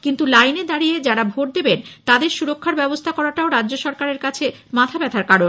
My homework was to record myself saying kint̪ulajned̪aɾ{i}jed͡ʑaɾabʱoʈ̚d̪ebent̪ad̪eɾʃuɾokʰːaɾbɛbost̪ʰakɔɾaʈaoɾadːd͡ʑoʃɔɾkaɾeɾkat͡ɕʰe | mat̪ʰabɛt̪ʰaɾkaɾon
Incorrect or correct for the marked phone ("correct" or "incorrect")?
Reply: correct